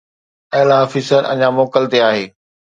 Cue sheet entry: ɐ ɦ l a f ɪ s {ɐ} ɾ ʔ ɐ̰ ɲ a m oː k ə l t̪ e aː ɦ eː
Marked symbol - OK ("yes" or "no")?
no